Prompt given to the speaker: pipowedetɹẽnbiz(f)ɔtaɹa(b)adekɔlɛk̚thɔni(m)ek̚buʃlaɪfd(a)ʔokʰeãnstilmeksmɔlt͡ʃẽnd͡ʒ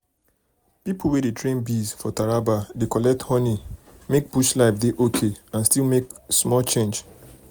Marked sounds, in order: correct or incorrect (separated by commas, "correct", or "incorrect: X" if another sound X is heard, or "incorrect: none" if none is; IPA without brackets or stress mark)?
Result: correct, correct, correct, incorrect: e